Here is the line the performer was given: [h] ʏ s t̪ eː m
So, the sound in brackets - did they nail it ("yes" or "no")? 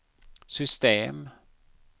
no